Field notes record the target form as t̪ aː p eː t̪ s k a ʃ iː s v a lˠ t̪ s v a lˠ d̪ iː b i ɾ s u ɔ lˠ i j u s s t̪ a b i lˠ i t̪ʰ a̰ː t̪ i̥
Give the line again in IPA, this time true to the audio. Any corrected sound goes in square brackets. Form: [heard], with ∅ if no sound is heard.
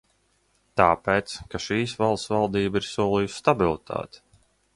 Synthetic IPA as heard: t̪ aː p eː t̪ s k a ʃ iː s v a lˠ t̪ s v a lˠ d̪ iː b i ɾ s u ɔ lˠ i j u s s t̪ a b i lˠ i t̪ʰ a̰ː t̪ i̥